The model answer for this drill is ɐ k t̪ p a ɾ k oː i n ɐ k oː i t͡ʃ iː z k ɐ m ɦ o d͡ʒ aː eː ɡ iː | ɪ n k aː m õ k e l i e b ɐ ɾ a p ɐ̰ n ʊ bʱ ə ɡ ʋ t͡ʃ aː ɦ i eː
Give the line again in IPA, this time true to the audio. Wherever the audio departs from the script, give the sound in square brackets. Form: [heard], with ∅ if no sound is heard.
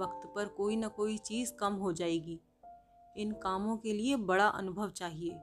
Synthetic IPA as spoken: ɐ k t̪ p [ɐ] ɾ k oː i n ɐ k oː i t͡ʃ iː z k ɐ m ɦ o d͡ʒ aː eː ɡ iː | ɪ n k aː m õ k e l i e b ɐ [ɽ] a [ʔ] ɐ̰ n ʊ bʱ ə [∅] ʋ t͡ʃ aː ɦ i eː